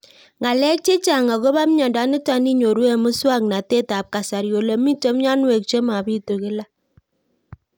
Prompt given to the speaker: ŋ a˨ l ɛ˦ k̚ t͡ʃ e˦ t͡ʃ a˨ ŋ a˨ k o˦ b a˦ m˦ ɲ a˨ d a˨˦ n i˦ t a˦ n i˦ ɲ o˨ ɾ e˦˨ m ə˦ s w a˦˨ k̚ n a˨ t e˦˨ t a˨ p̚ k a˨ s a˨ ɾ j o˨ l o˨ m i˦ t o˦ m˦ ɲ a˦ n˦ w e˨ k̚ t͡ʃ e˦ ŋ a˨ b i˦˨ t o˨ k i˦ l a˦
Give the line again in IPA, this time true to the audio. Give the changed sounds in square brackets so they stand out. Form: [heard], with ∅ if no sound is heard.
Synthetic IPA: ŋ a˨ l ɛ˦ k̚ t͡ʃ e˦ t͡ʃ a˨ ŋ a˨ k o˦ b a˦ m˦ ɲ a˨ d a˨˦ n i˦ t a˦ n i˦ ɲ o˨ ɾ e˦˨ m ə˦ s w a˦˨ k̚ n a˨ t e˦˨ t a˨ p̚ k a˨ s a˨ ɾ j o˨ l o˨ m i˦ t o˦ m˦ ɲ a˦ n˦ w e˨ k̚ t͡ʃ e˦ [m] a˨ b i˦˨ t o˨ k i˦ l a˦